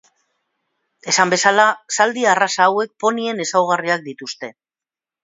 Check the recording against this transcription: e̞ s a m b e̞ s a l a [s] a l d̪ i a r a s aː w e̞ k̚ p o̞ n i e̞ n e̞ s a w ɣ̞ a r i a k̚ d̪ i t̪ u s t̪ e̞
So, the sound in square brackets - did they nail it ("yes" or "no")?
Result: yes